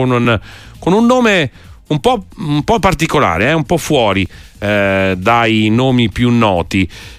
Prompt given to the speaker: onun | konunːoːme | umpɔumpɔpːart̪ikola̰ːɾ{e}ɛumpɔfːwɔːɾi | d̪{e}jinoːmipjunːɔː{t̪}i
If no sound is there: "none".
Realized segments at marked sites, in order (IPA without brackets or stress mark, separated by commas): e, a, t̪